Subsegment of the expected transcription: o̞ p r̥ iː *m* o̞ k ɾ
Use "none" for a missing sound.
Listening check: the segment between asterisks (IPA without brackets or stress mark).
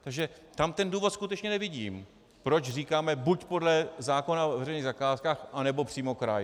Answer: m